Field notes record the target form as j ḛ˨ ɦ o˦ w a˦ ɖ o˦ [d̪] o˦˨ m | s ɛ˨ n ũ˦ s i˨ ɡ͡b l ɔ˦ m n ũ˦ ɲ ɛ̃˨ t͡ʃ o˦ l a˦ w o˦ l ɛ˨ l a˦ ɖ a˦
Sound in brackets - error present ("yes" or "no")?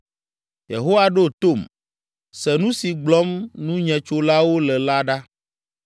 yes